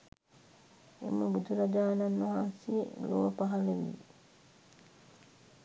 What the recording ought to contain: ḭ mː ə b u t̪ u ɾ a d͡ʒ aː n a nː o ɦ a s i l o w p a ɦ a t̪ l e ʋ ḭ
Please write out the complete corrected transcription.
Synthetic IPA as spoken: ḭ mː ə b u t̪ u ɾ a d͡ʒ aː n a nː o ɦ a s i l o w p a ɦ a l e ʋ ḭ